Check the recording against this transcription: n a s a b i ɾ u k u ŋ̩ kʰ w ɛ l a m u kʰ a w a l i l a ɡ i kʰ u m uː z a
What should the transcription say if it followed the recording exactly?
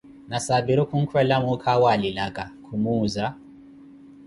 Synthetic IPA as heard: n a s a b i ɾ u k u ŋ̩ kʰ w ɛ l a m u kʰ a w a l i l a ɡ a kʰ u m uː z a